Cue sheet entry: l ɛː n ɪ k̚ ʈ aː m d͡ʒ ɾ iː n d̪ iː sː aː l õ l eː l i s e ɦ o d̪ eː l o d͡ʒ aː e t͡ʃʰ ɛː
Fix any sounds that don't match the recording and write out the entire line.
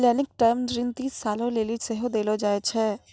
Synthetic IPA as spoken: l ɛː n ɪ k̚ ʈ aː m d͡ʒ ɾ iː n t̪ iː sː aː l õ l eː l i s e ɦ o d̪ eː l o d͡ʒ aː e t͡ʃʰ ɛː